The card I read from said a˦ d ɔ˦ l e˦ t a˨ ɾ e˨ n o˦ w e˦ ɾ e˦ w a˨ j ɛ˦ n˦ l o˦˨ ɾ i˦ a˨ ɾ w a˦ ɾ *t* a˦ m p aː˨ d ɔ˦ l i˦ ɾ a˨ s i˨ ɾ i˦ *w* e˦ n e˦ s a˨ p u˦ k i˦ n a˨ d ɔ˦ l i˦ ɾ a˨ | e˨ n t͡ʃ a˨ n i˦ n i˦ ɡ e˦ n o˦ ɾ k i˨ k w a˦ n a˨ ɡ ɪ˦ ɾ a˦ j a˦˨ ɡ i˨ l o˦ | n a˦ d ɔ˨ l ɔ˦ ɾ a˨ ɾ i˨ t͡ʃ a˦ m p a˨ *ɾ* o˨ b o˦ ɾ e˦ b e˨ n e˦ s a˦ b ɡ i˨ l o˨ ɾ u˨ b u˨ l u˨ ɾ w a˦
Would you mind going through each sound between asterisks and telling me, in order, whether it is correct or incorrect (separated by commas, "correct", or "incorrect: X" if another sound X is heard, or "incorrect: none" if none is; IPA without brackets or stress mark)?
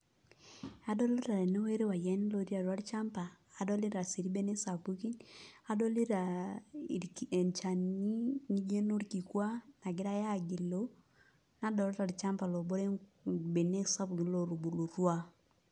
incorrect: t͡ʃ, incorrect: b, incorrect: l